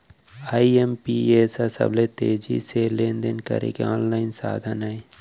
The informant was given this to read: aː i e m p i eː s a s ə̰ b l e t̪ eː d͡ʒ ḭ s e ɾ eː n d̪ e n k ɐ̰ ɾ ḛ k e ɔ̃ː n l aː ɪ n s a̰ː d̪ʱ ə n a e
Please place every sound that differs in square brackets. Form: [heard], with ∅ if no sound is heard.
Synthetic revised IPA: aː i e m p i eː s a s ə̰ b l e t̪ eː d͡ʒ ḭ s e [l] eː n d̪ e n k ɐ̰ ɾ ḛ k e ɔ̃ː n l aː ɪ n s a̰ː d̪ʱ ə n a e